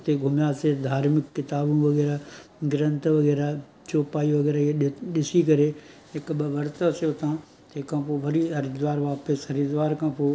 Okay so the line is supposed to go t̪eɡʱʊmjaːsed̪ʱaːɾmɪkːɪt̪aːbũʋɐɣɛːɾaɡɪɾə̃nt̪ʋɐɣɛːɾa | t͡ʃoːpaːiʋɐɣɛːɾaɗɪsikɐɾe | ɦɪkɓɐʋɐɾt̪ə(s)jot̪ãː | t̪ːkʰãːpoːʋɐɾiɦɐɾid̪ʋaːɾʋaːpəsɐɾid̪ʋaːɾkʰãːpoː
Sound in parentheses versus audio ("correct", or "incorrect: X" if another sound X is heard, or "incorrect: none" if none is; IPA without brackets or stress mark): correct